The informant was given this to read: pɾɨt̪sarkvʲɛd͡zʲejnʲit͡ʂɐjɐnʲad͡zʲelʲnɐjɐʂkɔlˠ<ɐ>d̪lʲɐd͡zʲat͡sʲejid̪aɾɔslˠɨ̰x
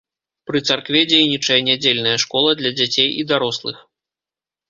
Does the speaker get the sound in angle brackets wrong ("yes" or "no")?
no